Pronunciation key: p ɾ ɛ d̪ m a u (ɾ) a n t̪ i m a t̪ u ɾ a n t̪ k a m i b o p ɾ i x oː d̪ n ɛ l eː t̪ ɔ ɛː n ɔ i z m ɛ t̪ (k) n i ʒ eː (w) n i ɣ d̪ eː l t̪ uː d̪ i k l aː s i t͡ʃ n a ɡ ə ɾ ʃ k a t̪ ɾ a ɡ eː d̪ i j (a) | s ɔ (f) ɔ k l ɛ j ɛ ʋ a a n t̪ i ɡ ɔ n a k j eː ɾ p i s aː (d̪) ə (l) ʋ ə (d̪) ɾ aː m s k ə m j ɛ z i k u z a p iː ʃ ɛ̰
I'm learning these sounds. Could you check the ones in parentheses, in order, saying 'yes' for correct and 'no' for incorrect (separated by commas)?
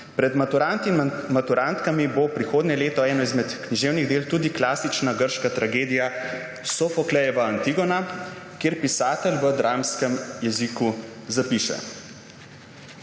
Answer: yes, yes, yes, yes, yes, no, yes, yes